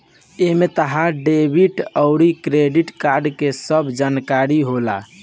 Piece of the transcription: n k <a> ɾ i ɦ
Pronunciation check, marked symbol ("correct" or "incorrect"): correct